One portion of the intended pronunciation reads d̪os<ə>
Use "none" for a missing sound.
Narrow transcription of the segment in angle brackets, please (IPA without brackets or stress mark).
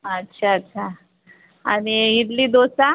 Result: a